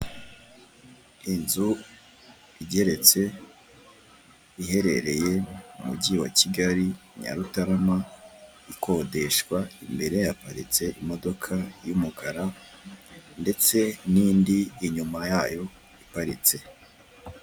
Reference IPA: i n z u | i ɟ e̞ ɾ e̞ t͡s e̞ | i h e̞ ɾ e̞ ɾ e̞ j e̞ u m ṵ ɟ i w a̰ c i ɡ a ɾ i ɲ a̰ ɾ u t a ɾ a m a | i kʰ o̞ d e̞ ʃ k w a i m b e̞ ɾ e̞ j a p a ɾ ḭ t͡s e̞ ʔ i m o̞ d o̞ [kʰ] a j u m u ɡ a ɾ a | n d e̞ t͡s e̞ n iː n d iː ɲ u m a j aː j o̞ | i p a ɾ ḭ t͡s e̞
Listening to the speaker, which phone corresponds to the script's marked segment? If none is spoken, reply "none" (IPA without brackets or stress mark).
kʰ